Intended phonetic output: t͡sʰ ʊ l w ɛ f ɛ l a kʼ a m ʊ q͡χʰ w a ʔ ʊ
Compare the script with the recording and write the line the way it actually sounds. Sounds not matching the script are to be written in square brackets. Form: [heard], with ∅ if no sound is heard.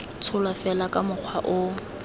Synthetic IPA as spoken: t͡sʰ ʊ l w [a] f ɛ l a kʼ a m ʊ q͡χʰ w a ʔ ʊ